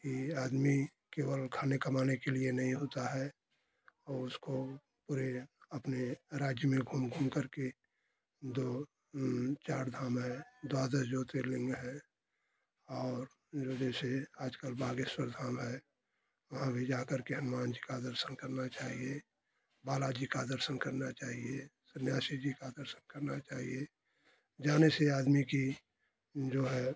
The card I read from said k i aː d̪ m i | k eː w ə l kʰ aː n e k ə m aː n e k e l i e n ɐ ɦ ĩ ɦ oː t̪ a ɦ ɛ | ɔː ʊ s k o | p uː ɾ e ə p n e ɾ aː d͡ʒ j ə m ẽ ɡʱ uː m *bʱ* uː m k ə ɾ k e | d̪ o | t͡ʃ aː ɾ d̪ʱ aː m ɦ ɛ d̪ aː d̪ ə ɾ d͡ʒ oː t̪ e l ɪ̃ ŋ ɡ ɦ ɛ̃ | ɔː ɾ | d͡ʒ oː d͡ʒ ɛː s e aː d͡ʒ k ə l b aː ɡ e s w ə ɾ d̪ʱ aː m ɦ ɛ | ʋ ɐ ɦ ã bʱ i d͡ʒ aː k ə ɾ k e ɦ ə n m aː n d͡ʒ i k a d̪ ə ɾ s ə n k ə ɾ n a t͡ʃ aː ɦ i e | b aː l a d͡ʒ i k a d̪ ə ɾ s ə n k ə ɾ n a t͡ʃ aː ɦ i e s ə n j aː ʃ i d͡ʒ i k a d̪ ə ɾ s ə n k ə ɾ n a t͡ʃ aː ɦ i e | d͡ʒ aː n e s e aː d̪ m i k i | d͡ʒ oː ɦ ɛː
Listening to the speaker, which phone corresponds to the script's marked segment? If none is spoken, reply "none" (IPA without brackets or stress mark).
ɡʱ